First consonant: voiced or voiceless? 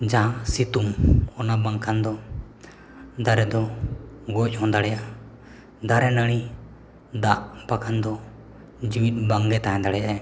voiced